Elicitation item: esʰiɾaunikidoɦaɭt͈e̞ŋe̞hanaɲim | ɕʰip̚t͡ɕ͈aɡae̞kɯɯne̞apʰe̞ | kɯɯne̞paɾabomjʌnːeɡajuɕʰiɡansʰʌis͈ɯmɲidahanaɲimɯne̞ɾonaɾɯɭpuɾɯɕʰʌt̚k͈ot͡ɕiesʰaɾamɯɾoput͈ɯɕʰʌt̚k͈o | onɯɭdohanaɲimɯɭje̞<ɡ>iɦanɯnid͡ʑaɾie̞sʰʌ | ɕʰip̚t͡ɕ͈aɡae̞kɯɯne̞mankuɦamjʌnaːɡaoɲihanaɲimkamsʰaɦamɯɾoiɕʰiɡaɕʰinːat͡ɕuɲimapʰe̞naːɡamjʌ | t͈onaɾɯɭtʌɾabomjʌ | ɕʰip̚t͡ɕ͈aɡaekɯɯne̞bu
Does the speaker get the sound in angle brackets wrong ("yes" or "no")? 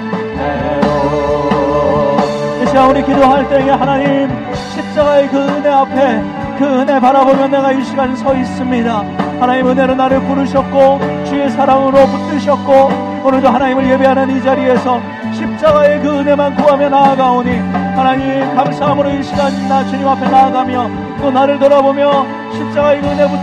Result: yes